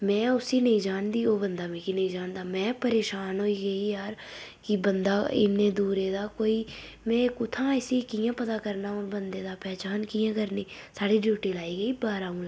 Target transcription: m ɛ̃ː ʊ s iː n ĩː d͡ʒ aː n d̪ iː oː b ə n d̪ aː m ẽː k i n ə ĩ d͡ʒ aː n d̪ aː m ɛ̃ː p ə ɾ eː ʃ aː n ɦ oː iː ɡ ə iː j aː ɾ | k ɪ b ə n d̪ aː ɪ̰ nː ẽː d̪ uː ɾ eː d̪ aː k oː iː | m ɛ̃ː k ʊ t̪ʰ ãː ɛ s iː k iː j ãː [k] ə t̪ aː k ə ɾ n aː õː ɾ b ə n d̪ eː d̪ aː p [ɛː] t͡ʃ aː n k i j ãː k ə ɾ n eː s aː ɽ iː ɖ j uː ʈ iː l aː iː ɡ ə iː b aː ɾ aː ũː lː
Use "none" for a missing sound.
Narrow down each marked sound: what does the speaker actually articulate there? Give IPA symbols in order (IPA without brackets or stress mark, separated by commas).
p, ɛː